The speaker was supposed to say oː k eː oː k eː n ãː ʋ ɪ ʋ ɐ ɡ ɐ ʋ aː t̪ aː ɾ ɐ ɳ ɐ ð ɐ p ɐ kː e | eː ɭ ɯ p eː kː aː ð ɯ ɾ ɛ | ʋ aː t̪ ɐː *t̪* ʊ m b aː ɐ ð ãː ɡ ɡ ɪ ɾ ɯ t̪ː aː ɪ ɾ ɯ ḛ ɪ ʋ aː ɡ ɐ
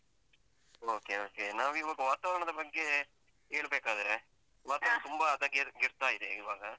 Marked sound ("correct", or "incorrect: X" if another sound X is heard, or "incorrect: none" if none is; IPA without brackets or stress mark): correct